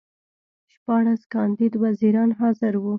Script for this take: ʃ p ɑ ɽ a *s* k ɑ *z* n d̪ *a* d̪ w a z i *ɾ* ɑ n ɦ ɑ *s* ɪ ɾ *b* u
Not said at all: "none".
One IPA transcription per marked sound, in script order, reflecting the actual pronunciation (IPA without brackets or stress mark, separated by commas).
s, none, i, ɾ, z, w